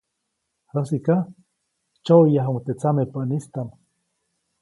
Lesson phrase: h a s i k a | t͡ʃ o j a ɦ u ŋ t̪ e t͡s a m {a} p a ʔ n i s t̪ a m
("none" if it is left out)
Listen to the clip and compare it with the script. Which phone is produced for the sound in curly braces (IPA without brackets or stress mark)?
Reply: e